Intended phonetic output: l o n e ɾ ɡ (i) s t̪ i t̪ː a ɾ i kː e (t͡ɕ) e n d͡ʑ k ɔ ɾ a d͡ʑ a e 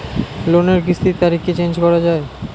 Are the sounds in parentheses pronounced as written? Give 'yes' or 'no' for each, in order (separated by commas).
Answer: yes, yes